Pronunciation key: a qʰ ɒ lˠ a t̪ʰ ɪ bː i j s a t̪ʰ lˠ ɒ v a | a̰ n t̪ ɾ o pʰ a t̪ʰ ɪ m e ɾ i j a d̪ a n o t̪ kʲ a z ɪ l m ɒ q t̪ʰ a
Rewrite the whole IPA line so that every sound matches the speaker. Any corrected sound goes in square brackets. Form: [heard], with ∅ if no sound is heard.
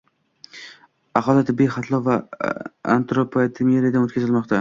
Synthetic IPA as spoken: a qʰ ɒ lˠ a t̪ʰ ɪ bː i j [χ] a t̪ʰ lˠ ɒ v a | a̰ n t̪ ɾ o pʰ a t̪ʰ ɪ m e ɾ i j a d̪ a n o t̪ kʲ a z ɪ l m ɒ q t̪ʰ a